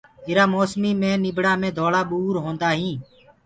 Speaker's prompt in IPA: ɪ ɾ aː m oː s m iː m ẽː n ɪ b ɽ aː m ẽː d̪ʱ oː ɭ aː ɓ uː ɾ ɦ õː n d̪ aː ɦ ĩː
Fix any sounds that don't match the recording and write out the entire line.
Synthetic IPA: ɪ ɾ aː m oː s m iː m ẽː n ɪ b ɽ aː m ẽː d̪ʱ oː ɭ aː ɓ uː ɾ ɦ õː n d̪ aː ɦ ĩː